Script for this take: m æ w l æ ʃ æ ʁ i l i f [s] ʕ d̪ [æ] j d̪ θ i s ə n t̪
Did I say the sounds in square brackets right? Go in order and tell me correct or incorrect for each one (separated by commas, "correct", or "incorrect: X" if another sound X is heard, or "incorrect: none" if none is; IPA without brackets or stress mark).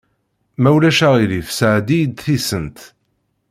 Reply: correct, incorrect: i